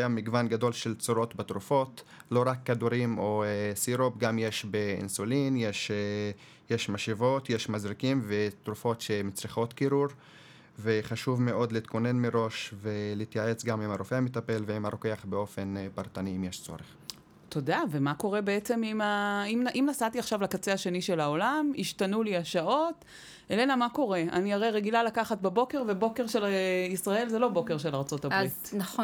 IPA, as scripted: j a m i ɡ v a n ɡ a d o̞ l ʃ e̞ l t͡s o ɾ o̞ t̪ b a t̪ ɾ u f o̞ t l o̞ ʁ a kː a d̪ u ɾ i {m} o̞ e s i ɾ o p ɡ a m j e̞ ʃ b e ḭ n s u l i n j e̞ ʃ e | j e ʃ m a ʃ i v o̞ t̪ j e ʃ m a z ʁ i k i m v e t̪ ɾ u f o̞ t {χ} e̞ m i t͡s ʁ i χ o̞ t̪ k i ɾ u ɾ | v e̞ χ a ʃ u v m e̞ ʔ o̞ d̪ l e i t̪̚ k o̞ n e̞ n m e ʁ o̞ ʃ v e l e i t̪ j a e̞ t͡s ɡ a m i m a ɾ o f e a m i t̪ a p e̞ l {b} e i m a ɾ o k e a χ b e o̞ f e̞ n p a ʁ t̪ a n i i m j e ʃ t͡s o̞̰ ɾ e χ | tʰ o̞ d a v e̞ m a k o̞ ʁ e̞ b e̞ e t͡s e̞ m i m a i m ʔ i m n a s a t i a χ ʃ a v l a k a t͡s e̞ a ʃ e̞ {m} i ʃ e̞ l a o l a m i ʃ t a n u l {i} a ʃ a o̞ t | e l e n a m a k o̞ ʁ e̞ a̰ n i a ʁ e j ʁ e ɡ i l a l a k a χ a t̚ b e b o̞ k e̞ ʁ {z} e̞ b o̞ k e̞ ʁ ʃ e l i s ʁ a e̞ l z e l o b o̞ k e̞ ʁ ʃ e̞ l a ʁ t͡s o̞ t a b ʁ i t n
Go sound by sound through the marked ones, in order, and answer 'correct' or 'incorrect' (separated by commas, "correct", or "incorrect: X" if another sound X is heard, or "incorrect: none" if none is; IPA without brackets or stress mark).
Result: correct, incorrect: ʃ, incorrect: v, incorrect: n, correct, incorrect: v